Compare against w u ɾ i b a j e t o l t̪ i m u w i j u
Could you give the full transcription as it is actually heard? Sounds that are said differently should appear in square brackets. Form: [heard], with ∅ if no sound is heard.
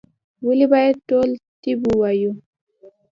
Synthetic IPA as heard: w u [l] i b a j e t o l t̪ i [b] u w [a] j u

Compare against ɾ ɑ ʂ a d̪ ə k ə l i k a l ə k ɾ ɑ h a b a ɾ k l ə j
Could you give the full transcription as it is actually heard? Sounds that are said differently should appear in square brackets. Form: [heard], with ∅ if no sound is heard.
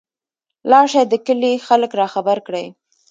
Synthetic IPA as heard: [l] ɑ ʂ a d̪ ə k ə l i [x] a l ə k ɾ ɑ [x] a b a ɾ k [ɽ] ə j

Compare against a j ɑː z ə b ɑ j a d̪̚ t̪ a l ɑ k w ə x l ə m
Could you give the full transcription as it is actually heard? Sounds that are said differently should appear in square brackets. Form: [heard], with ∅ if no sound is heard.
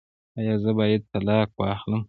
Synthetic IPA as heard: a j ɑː z ə b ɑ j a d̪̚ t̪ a l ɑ k w [ɑ] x l ə m

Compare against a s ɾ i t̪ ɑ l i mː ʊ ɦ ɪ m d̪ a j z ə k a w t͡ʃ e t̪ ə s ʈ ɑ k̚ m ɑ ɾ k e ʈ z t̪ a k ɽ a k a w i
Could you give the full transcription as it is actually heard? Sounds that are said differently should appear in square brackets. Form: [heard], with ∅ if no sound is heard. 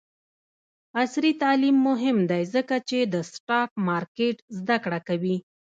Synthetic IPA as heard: a s ɾ i t̪ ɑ l i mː ʊ ɦ ɪ m d̪ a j z ə k a [∅] t͡ʃ e [d̪] ə s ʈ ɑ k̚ m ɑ ɾ k e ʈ z [d̪] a k ɽ a k a w i

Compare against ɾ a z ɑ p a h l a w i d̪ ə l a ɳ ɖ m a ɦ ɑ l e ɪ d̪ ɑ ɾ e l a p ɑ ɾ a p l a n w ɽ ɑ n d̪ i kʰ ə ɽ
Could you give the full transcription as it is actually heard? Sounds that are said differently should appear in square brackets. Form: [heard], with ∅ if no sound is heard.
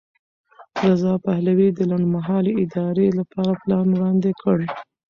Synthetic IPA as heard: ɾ a z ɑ p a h l a w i d̪ ə l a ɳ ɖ m a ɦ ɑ l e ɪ d̪ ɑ ɾ e l a p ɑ ɾ a p l [ɑ] n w ɽ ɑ n d̪ [e] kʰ ə ɽ

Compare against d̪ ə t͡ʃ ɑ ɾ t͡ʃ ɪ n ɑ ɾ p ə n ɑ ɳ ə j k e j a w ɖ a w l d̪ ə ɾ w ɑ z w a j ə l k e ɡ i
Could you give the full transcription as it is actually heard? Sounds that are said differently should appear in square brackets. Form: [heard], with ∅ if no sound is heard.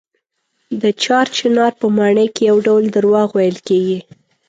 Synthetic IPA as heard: d̪ ə t͡ʃ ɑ ɾ t͡ʃ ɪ n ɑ ɾ p ə [m] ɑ ɳ ə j k e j a w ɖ a w l d̪ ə ɾ w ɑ [ɣ] w a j ə l k e ɡ i

